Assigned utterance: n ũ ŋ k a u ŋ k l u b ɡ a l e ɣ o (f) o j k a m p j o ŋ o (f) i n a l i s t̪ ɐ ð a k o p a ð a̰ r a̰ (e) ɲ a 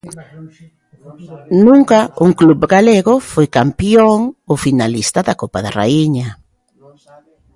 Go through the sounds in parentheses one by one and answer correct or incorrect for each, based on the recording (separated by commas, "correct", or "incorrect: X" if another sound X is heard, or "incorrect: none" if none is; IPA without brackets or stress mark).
correct, correct, incorrect: i